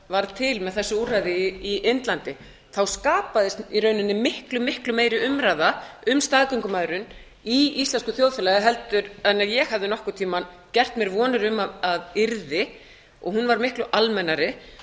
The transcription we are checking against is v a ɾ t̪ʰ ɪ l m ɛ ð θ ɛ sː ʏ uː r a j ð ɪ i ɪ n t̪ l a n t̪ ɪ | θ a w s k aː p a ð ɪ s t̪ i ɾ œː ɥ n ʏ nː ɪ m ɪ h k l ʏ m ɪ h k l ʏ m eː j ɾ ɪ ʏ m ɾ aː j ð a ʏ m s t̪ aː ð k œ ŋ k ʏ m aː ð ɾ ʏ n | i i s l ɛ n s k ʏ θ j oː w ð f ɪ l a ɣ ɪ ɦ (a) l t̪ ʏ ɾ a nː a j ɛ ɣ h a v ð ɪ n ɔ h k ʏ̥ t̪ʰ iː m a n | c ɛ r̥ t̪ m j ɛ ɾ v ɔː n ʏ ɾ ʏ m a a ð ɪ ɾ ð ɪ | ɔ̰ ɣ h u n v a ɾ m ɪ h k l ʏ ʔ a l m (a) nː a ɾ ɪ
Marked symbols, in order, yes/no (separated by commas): no, no